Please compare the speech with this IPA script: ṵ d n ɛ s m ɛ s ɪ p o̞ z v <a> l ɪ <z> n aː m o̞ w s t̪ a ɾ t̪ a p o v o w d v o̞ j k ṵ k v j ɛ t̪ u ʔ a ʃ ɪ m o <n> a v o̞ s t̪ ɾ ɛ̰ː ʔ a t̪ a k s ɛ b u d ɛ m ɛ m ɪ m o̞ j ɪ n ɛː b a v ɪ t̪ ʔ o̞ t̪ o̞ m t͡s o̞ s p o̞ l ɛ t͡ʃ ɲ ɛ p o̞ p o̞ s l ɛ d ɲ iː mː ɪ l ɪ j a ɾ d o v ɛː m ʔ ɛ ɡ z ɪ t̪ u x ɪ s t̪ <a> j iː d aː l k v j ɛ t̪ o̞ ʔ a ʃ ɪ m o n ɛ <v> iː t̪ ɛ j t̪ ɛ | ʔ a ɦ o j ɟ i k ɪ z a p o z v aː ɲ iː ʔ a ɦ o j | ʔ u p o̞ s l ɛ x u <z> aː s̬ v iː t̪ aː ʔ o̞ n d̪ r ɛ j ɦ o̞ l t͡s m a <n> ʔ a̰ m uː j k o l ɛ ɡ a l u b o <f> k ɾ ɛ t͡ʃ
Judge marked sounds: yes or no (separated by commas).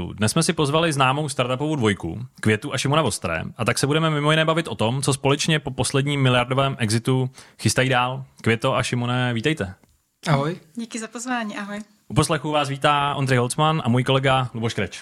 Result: yes, yes, yes, yes, yes, no, yes, no